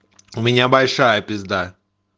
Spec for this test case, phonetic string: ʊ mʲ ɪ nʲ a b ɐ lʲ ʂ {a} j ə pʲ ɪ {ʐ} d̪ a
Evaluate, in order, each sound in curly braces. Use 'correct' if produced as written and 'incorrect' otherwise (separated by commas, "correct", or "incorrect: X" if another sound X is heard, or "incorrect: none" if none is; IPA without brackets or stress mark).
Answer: correct, incorrect: z